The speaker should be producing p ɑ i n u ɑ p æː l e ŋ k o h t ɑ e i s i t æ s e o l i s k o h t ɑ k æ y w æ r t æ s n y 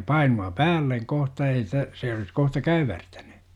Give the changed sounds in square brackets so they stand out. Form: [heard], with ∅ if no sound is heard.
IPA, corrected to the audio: p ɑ i n u ɑ p æː [lː] e ŋ k o h t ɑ e i s i t æ s e o l i s k o h t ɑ k æ y w æ r t æ [∅] n y